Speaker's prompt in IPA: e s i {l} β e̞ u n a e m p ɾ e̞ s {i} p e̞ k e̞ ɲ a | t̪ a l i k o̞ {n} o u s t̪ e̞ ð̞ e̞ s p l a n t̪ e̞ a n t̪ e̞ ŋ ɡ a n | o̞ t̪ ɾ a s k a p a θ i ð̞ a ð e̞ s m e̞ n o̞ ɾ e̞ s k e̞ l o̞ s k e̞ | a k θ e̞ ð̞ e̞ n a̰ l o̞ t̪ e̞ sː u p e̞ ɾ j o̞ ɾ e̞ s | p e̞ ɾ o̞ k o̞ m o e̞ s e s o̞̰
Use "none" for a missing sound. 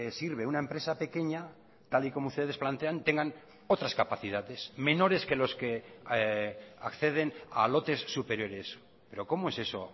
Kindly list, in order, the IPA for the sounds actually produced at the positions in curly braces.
ɾ, a, m

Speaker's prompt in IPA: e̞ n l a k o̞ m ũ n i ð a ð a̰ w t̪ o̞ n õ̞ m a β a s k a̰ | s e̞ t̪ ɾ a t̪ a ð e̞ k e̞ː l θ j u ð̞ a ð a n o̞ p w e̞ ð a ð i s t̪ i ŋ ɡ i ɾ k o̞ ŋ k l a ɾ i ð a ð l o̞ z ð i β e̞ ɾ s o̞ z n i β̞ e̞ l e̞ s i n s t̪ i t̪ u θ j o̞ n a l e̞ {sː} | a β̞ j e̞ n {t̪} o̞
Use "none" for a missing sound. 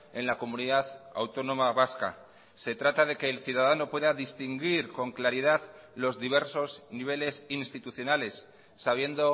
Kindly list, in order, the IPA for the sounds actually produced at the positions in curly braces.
sː, d̪

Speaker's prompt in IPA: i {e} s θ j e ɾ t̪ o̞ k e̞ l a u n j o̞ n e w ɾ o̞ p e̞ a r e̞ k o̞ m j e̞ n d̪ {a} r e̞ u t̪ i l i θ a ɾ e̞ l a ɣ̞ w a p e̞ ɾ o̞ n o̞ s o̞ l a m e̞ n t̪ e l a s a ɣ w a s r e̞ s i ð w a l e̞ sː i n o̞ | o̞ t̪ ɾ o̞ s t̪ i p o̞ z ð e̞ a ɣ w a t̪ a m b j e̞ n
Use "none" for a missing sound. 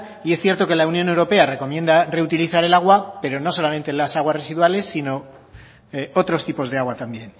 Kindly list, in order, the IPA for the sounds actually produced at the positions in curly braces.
e, a

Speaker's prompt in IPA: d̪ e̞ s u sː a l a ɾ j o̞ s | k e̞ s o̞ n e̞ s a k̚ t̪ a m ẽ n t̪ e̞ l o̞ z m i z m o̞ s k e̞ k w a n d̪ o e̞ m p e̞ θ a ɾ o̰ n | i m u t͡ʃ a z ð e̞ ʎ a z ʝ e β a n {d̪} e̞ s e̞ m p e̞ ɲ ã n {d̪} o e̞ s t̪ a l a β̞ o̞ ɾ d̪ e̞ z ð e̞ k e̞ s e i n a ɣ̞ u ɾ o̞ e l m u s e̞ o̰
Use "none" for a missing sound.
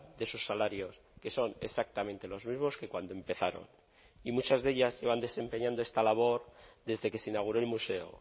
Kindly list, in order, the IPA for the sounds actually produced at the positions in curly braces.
d̪, d̪

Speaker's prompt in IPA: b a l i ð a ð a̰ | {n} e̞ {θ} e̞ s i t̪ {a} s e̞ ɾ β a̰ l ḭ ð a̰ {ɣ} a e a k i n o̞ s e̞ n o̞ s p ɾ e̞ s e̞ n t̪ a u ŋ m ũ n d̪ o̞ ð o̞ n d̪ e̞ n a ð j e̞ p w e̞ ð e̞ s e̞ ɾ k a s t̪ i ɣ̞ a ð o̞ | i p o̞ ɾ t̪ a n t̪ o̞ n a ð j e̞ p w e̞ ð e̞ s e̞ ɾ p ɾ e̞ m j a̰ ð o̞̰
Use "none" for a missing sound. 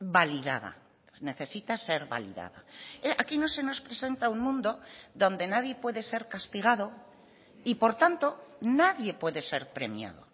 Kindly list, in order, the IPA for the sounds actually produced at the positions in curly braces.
n, θ, a, ð

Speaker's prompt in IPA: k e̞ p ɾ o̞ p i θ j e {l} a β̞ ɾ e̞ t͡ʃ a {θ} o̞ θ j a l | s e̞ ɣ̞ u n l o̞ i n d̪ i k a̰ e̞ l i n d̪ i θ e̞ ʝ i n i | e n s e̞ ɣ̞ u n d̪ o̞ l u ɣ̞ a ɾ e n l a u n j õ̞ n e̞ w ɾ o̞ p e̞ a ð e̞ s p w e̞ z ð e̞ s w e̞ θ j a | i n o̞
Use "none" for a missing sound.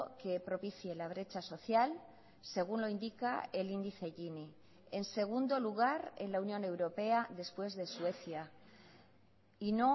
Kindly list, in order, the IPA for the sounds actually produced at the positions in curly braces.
l, s

